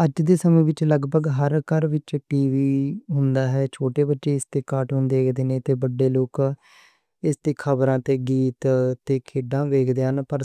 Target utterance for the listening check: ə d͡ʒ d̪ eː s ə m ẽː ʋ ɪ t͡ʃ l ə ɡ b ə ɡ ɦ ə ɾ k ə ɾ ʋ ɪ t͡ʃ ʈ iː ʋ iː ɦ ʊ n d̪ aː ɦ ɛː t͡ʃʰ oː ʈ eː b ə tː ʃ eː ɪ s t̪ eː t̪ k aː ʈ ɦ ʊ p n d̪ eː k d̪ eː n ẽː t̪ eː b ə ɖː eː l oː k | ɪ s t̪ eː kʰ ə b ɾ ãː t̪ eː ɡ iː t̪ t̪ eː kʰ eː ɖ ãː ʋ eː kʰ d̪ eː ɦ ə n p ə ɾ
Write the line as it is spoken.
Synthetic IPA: ə d͡ʒ d̪ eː s ə m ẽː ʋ ɪ t͡ʃ l ə ɡ b ə ɡ ɦ ə ɾ k ə ɾ ʋ ɪ t͡ʃ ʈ iː ʋ iː ɦ ʊ n d̪ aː ɦ ɛː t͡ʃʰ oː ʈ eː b ə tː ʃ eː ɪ s t̪ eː k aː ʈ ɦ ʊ n d̪ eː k d̪ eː n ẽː t̪ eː b ə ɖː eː l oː k | ɪ s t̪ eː kʰ ə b ɾ ãː t̪ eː ɡ iː t̪ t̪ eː kʰ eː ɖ ãː ʋ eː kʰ d̪ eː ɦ ə n p ə ɾ